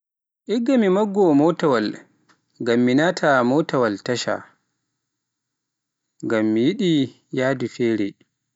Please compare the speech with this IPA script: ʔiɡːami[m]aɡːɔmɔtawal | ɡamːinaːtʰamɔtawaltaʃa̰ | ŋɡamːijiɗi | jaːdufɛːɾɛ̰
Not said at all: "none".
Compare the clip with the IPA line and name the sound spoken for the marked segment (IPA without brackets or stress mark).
m